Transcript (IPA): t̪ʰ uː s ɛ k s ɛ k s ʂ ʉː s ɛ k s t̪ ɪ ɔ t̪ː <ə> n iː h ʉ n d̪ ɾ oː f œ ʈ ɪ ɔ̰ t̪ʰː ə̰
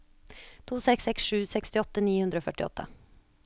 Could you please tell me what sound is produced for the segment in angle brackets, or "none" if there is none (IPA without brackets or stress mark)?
ə